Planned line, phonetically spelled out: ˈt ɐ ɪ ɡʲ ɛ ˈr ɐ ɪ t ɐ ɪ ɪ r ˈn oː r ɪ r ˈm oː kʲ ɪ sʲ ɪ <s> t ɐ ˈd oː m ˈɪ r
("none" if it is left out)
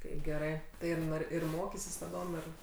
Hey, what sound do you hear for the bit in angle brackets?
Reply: s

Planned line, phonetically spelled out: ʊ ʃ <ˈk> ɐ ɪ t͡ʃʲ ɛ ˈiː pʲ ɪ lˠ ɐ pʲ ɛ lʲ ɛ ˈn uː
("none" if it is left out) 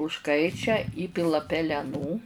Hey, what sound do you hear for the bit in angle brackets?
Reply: k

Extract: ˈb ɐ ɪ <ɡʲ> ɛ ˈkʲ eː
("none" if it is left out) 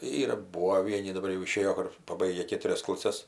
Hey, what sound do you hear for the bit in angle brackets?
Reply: ɡʲ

